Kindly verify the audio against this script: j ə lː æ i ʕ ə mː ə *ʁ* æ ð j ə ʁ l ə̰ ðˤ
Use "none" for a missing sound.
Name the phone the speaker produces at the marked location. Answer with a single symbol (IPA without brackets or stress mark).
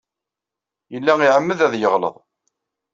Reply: ð